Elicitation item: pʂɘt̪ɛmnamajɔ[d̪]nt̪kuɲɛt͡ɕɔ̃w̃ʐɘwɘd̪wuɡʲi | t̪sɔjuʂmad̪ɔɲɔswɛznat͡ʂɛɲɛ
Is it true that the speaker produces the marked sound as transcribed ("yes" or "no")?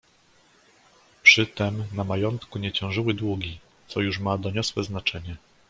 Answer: no